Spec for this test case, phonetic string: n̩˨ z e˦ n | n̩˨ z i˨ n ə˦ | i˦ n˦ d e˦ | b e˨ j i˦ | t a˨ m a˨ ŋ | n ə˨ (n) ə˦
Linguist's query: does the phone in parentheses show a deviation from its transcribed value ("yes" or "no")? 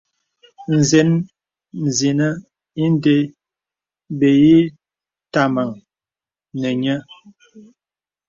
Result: yes